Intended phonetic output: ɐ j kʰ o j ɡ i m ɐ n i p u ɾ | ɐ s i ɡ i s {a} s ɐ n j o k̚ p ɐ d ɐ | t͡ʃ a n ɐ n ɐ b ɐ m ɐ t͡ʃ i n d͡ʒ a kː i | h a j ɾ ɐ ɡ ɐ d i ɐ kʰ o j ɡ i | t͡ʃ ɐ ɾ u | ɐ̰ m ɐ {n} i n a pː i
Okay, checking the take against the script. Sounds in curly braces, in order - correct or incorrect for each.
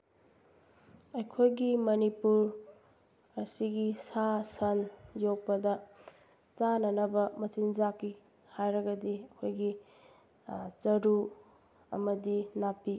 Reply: correct, incorrect: d

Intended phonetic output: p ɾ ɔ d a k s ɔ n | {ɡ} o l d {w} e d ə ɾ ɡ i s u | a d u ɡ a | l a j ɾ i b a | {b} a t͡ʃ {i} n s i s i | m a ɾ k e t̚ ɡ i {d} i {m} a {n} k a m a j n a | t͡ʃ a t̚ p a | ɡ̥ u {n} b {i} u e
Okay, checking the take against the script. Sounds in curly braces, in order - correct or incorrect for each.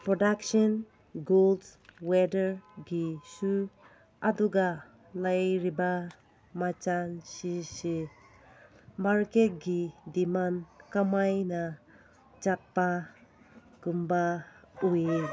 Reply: correct, correct, incorrect: m, incorrect: a, correct, correct, correct, incorrect: m, incorrect: a

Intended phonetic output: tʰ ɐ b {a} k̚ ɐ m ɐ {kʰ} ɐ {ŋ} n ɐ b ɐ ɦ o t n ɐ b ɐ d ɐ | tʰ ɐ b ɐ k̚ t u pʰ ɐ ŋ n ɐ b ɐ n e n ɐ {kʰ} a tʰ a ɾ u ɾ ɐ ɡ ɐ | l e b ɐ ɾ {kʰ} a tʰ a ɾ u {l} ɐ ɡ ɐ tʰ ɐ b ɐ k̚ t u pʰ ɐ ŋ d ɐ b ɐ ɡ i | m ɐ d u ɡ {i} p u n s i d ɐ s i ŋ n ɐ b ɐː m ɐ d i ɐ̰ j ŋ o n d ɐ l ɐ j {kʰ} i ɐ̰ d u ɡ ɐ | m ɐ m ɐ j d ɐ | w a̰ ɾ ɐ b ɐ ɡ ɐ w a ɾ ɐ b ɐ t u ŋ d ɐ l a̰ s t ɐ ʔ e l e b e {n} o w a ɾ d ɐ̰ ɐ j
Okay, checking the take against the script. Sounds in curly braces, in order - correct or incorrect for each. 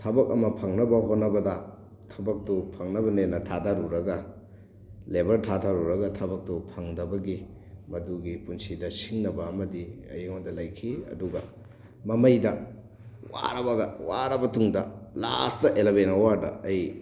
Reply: incorrect: ɐ, incorrect: pʰ, correct, incorrect: tʰ, incorrect: tʰ, incorrect: ɾ, correct, correct, correct

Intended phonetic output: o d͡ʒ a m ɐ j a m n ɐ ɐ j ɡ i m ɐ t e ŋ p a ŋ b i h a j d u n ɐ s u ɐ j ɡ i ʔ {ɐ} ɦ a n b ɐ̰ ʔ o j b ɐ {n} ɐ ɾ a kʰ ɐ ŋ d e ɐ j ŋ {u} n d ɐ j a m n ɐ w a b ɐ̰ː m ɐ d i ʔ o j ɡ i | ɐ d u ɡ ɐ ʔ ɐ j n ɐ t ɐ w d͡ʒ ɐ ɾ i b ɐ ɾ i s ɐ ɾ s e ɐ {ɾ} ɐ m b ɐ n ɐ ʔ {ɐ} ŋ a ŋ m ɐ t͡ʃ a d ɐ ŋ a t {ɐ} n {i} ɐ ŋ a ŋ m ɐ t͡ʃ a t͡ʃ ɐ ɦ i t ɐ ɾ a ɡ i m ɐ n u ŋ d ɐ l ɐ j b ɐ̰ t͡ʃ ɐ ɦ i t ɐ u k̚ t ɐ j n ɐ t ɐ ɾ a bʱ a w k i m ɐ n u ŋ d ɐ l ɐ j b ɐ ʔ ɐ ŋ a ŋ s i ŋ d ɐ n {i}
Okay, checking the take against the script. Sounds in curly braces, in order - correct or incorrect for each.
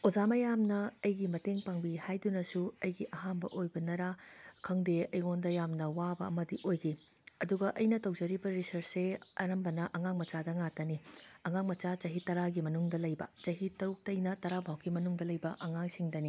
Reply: correct, correct, incorrect: o, correct, correct, correct, correct, correct

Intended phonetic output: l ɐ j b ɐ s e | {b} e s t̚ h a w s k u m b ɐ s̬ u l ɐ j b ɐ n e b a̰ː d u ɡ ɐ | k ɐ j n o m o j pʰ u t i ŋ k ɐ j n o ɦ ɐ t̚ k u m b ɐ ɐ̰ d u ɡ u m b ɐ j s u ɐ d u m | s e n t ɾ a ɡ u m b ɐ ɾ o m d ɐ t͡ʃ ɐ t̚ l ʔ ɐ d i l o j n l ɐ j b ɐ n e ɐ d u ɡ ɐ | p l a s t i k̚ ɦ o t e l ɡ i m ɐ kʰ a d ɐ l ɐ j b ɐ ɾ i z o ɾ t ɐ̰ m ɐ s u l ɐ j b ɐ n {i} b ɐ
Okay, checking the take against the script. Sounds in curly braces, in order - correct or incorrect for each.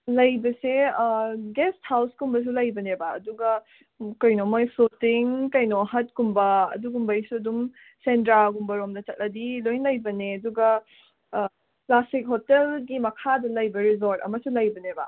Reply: incorrect: ɡ, incorrect: e

